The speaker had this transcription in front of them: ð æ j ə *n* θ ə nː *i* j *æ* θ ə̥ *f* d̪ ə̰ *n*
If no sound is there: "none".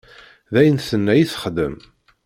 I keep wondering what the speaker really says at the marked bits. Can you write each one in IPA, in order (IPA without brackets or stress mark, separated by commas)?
n, æ, i, χ, m